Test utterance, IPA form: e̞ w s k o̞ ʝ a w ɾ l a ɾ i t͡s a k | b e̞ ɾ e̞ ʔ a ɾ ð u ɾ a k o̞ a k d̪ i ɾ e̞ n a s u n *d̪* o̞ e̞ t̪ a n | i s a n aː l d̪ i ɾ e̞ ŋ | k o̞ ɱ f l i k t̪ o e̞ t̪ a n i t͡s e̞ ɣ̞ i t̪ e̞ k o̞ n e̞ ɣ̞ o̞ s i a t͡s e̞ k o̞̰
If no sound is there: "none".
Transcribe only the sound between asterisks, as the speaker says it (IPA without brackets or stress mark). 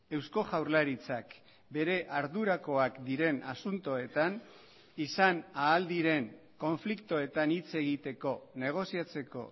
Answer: t̪